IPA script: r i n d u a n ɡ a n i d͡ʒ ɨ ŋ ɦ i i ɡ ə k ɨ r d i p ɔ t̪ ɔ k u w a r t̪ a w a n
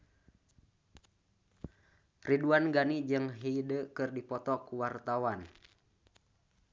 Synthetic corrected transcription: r i d u a n ɡ a n i d͡ʒ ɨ ŋ ɦ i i d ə k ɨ r d i p ɔ t̪ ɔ k u w a r t̪ a w a n